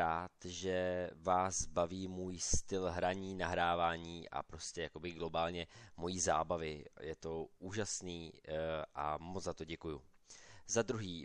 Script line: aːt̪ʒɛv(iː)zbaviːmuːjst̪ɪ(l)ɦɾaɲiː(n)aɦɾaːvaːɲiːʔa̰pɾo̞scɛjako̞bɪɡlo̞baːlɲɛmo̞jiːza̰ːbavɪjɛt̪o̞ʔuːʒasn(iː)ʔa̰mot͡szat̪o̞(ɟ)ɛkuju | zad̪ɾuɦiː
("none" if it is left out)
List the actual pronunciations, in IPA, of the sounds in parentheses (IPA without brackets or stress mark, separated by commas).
aː, l, n, iː, ɟ